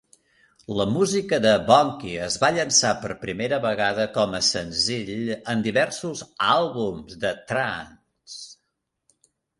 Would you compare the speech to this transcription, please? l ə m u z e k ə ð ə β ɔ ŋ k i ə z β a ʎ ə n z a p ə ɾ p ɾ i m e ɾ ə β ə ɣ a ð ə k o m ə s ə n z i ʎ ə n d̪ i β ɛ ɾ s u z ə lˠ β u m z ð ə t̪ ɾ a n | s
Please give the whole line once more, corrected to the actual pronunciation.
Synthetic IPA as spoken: l ə m u z i k ə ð ə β ɔ ŋ k i ə z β a ʎ ə n s a p ə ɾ p ɾ i m e ɾ ə β ə ɣ a ð ə k ɔ m ə s ə n z i ʎ ə n d̪ i β ɛ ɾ s u z a lˠ β u m z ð ə t̪ ɾ a n | s